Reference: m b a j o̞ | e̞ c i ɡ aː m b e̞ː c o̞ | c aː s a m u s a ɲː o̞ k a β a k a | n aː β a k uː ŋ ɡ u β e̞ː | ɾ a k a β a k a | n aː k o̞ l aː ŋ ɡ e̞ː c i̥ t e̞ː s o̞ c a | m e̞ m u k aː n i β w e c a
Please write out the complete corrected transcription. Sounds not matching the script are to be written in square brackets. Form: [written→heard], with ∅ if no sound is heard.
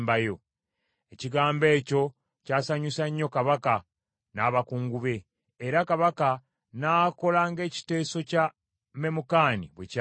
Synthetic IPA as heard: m b a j o̞ | e̞ c i ɡ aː m b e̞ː c o̞ | c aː s a [m→ɲ] u s a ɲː o̞ k a β a k a | n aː β a k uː ŋ ɡ u β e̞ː | ɾ a k a β a k a | n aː k o̞ l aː ŋ ɡ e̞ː c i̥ t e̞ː s o̞ c a | m e̞ m u k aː n i β w e c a